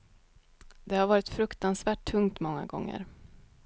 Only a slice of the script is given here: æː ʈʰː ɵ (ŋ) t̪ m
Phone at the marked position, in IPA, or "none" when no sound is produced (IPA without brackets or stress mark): ŋ